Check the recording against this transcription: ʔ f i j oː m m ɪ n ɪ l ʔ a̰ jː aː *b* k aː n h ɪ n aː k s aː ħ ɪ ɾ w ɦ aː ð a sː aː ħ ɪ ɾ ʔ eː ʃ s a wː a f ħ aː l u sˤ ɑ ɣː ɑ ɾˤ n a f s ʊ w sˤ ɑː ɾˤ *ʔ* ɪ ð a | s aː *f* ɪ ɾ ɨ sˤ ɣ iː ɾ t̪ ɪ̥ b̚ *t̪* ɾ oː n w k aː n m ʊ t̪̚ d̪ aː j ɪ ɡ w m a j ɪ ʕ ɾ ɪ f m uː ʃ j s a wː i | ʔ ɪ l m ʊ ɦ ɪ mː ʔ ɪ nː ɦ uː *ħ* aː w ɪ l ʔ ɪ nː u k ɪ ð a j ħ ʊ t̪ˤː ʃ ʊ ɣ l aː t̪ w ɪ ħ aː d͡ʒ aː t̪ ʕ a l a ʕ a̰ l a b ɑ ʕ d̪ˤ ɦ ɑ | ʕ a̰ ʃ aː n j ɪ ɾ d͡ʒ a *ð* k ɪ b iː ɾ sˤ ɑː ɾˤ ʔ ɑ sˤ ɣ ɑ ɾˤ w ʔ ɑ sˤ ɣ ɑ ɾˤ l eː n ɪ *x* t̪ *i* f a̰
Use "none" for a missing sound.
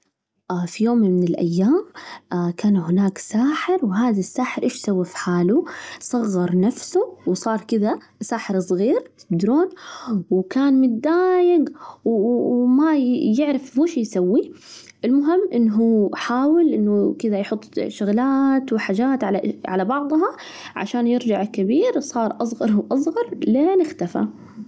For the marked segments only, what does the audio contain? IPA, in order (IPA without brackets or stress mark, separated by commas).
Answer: m, k, ħ, d̪, ħ, ʕ, x, a